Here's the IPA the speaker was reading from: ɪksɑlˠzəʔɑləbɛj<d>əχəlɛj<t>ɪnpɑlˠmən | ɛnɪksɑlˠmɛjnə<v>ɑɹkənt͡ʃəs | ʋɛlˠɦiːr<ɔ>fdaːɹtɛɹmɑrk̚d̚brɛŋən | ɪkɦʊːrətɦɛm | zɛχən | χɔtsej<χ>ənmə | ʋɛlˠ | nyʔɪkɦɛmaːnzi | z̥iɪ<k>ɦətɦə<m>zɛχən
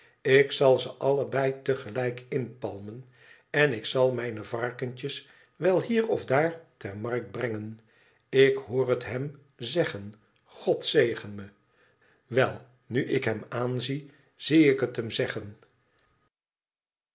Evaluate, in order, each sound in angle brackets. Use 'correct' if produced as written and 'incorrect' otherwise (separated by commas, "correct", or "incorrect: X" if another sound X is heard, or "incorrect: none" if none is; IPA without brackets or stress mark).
incorrect: t, incorrect: k, correct, correct, correct, correct, correct